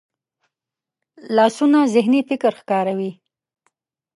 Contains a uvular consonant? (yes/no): no